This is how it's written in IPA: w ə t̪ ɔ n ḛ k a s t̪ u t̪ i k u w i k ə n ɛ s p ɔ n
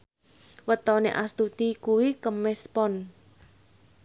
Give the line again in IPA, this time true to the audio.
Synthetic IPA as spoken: w ə t̪ ɔ n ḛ ʔ a s t̪ u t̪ i k u w i k ə m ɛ s p ɔ n